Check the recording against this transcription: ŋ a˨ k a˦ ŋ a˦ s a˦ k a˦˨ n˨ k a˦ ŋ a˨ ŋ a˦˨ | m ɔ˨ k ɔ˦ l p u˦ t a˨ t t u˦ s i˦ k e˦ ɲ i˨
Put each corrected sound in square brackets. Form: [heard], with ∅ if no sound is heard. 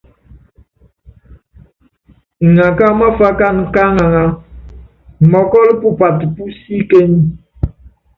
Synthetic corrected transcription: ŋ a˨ k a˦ [m] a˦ [f] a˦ k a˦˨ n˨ k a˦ ŋ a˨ ŋ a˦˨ | m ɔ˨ k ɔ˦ l p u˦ [p] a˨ t [p] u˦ s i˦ k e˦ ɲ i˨